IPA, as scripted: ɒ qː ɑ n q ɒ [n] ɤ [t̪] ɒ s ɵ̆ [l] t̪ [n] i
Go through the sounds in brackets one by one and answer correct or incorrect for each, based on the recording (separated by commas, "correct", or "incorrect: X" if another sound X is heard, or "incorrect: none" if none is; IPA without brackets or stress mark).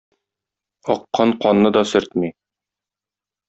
incorrect: nː, incorrect: d̪, incorrect: ɾ, incorrect: m